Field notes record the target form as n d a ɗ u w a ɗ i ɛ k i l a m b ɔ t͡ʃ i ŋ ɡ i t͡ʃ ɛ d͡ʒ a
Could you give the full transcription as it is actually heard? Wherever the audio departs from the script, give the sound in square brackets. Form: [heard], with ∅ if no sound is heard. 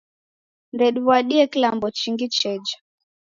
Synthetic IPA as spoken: n d [ɛ] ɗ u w a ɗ i ɛ k i l a m b ɔ t͡ʃ i ŋ ɡ i t͡ʃ ɛ d͡ʒ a